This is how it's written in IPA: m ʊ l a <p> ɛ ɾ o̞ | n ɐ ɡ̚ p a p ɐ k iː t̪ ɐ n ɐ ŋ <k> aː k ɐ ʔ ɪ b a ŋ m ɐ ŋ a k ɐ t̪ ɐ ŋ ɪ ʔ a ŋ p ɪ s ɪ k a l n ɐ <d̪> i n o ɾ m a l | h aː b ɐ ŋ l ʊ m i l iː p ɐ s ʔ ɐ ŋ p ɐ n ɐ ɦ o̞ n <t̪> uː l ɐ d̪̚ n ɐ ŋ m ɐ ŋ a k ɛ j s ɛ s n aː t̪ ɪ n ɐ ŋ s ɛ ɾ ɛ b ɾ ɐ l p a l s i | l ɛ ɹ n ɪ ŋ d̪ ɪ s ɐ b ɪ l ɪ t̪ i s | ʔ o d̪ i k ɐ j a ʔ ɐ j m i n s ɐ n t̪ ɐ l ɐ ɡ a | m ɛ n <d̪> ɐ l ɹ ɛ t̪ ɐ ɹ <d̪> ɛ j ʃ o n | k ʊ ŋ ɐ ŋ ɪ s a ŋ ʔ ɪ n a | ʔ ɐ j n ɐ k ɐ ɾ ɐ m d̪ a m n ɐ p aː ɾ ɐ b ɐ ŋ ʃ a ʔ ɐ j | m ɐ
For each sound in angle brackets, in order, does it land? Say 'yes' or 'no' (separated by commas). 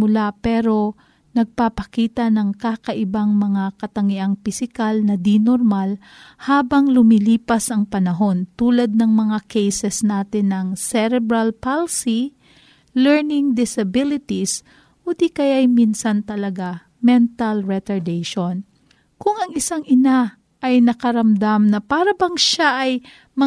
yes, yes, yes, yes, no, yes